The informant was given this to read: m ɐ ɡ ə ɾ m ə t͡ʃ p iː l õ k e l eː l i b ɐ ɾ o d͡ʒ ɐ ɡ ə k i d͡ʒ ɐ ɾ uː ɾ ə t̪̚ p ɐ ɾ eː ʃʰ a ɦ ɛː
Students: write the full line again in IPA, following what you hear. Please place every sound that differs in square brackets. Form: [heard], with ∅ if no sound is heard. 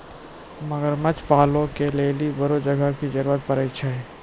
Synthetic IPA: m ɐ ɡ ə ɾ m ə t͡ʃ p [aː] l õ k e l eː l i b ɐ ɾ o d͡ʒ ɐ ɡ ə k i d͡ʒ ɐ ɾ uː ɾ ə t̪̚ p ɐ ɾ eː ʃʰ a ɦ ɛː